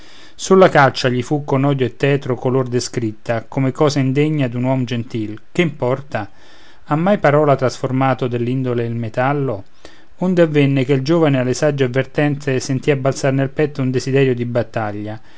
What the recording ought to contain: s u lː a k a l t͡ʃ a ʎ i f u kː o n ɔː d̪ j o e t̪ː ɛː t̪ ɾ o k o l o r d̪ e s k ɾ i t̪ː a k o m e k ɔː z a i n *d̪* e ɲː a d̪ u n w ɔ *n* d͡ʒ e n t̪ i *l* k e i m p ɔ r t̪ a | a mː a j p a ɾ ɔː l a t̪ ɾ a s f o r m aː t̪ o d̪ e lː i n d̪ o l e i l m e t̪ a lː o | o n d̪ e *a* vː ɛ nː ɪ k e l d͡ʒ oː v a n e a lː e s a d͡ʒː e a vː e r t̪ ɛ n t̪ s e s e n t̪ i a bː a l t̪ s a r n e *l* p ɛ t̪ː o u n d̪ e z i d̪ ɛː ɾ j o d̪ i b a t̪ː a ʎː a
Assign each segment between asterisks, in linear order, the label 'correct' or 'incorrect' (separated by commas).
correct, incorrect, correct, correct, correct